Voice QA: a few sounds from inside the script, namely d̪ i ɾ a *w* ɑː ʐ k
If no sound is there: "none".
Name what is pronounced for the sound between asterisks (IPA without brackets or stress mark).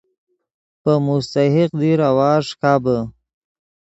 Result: w